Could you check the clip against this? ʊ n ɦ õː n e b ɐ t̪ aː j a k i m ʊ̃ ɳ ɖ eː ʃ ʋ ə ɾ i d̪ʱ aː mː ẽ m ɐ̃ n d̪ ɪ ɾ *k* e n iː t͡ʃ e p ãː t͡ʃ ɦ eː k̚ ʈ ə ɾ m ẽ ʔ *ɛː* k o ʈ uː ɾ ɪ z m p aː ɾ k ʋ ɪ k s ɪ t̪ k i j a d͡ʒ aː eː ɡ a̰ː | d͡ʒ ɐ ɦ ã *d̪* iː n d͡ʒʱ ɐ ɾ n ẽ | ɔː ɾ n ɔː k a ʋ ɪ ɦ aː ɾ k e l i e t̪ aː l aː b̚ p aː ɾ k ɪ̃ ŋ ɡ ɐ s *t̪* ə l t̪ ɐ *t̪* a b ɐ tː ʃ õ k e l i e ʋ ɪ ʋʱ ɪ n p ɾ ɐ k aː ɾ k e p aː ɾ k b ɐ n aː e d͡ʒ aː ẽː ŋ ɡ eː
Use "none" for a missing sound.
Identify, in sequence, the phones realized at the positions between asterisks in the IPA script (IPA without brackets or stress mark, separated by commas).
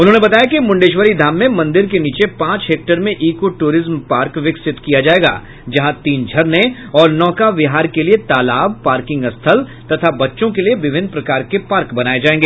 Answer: k, iː, t̪, t̪ʰ, t̪ʰ